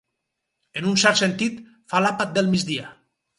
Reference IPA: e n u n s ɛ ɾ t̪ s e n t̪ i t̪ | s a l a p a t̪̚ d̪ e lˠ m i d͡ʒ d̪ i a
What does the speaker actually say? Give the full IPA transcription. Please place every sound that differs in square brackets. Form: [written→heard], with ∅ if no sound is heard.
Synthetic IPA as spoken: e n u n s ɛ ɾ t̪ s e n t̪ i t̪ | [s→f] a l a p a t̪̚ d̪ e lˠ m i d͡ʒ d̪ i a

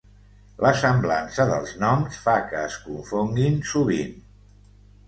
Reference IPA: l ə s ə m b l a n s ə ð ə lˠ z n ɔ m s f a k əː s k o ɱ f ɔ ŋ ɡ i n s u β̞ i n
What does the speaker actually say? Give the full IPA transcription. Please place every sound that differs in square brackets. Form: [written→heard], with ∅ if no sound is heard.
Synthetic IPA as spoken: l ə s ə m b l a n s ə ð ə lˠ z n ɔ m s f a k əː s k [o→u] ɱ f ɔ ŋ ɡ i n s u β̞ i n

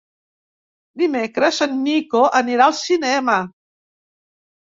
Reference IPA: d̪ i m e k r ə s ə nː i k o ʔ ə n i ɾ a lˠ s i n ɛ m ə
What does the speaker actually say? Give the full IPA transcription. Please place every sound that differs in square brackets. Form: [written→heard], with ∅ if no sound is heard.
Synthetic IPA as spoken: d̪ i m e k [r→ɾ] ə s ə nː i k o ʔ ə n i ɾ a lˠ s i n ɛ m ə

